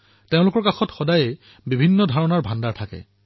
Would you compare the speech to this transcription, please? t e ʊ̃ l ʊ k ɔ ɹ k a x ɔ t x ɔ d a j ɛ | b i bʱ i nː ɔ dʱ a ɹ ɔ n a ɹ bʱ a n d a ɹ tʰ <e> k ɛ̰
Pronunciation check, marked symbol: incorrect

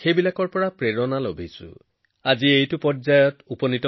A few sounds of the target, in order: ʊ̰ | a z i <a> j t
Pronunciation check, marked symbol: incorrect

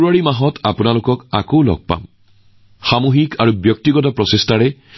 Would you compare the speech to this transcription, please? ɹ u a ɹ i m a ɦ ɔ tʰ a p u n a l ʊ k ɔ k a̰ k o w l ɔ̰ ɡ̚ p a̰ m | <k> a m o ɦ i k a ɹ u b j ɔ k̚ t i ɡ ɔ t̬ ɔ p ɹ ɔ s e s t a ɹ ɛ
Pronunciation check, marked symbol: incorrect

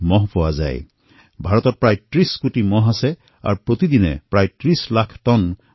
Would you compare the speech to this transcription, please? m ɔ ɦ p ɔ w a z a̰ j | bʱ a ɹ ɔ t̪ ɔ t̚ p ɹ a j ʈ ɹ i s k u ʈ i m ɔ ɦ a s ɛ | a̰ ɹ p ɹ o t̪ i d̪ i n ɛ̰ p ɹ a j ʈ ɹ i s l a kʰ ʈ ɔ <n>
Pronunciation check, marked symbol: correct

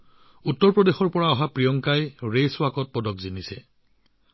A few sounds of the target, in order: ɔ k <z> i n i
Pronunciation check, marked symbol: correct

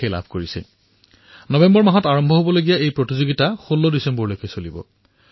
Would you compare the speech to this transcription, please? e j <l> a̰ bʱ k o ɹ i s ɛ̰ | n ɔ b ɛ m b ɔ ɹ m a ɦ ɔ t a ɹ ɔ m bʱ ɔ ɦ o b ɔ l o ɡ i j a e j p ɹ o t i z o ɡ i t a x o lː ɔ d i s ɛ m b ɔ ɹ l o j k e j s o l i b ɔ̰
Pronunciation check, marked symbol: correct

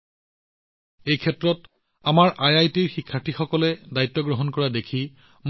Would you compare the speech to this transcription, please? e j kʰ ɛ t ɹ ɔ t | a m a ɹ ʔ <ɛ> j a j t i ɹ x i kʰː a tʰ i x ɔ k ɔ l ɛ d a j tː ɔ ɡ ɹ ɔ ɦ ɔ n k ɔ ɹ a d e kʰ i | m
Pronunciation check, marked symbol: incorrect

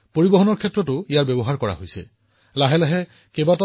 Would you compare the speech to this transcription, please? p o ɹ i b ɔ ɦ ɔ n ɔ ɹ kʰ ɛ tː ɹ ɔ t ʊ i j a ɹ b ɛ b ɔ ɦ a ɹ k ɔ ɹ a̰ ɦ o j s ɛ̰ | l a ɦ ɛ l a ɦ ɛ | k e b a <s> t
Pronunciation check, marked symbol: incorrect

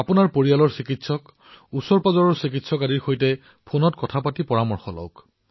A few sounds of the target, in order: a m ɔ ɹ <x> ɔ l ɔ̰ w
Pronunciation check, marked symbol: correct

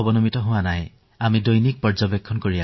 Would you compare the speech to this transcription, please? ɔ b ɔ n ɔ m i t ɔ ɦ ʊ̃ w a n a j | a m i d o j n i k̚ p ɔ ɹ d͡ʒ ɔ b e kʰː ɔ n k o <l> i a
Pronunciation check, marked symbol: incorrect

